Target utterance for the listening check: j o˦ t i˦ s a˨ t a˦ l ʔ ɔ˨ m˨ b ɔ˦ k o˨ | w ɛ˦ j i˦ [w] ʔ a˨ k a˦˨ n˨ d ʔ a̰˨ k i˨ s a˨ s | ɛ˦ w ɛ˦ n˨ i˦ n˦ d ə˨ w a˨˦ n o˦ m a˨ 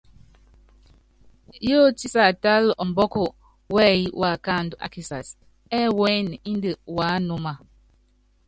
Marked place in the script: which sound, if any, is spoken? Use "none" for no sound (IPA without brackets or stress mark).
w